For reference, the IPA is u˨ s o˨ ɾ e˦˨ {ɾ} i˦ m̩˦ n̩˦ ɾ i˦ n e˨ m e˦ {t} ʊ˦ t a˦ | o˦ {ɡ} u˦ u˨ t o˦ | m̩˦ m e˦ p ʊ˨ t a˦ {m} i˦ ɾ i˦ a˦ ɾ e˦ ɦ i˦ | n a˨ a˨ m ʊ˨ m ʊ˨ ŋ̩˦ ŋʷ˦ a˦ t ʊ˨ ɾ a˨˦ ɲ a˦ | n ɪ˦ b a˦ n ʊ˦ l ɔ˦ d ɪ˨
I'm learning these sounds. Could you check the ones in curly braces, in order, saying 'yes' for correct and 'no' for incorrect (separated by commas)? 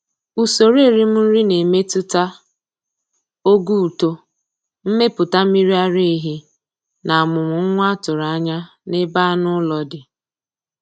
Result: yes, yes, yes, yes